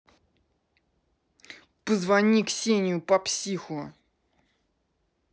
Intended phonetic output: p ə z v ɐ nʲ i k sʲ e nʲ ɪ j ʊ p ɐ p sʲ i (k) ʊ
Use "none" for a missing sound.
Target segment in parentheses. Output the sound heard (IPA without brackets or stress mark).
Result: x